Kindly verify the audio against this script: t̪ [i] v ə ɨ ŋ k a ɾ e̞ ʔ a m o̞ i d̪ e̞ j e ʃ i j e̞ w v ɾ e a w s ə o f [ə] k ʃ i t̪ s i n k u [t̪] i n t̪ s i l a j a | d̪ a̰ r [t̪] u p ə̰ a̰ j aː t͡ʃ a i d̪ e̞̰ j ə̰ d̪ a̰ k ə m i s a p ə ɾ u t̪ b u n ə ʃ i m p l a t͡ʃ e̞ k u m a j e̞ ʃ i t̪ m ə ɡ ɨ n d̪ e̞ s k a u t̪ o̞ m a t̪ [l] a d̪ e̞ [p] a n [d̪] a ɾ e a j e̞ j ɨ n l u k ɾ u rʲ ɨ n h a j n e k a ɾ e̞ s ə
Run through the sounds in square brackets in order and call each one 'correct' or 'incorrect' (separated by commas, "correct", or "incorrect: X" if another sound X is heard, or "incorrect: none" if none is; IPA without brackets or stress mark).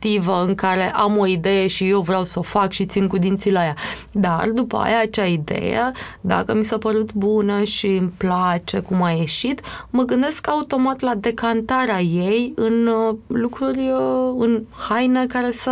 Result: correct, incorrect: a, incorrect: d̪, incorrect: d̪, correct, incorrect: k, incorrect: t̪